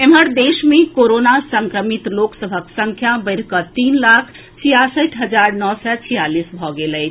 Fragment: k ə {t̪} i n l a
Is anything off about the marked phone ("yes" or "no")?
no